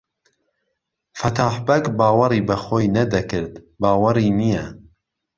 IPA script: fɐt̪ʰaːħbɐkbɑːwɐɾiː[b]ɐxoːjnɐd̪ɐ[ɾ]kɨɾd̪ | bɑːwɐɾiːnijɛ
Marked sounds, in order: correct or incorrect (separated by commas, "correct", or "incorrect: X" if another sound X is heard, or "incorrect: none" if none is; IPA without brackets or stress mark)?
correct, incorrect: none